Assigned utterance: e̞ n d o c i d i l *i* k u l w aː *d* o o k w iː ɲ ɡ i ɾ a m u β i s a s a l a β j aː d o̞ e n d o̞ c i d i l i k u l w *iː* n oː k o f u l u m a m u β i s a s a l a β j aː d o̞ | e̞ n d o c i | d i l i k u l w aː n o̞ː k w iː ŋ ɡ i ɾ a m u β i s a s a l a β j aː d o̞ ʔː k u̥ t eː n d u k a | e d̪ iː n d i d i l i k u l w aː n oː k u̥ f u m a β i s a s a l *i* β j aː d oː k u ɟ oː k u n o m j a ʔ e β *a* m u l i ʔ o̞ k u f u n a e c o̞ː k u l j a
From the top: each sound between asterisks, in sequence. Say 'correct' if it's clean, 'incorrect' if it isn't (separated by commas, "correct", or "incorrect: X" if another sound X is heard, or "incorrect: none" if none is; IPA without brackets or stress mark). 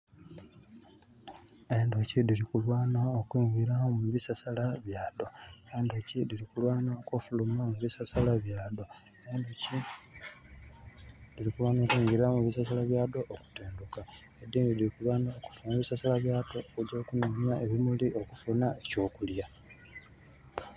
correct, incorrect: n, incorrect: aː, incorrect: a, incorrect: i